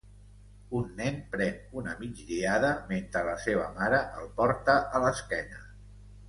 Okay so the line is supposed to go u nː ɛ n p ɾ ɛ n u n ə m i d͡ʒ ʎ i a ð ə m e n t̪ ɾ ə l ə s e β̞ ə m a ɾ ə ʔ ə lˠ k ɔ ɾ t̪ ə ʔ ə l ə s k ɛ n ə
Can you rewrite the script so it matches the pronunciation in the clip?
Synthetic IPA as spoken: u nː ɛ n p ɾ ɛ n u n ə m i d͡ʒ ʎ i a ð ə m e n t̪ ɾ ə l ə s e β̞ ə m a ɾ ə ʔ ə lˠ p ɔ ɾ t̪ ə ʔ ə l ə s k ɛ n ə

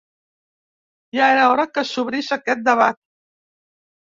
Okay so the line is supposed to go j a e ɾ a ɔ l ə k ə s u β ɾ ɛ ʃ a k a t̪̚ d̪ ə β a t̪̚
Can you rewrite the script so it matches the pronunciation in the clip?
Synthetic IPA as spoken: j a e ɾ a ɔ ɾ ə k ə s u β ɾ i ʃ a k ɛ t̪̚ d̪ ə β a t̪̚

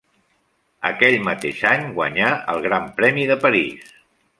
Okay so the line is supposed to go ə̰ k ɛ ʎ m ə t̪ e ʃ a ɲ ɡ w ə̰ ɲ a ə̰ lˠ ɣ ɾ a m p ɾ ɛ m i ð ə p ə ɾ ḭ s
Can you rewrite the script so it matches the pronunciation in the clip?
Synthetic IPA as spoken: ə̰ k ɛ ʎ m ə t̪ e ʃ a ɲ ɡ w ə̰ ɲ a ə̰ lˠ ɣ ɾ a m p ɾ ɛ m i ð ə p ə ɾ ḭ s

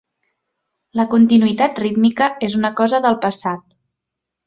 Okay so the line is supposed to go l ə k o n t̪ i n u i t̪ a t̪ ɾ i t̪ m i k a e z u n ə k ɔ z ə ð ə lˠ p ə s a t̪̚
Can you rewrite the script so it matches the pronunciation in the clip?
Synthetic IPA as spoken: l ə k u n t̪ i n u i t̪ a t̪ r i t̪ m i k ə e z u n ə k ɔ z ə ð ə lˠ p ə s a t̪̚

